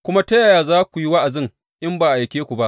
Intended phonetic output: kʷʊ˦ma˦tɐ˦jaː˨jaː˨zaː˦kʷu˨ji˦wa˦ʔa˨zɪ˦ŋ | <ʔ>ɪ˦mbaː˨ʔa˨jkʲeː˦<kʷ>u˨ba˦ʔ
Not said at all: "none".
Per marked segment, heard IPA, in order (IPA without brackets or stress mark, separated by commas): ʔ, kʷ